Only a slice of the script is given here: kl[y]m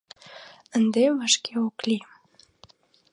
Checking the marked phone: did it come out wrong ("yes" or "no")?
yes